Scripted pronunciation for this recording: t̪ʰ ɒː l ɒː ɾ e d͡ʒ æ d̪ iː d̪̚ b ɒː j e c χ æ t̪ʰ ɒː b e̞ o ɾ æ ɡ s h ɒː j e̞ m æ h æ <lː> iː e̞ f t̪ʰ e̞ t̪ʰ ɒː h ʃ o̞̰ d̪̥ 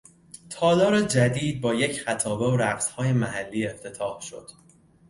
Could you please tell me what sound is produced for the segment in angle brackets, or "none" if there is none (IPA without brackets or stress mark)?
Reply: lː